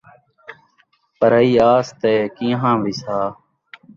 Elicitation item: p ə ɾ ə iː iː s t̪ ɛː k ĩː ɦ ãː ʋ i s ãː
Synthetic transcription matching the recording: p ə ɾ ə iː aː s t̪ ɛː k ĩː ɦ ãː ʋ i s aː